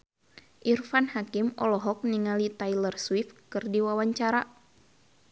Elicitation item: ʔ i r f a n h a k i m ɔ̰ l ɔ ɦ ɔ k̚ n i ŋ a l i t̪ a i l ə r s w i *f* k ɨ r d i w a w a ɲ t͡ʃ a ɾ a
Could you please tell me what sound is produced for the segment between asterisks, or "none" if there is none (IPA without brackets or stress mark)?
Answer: f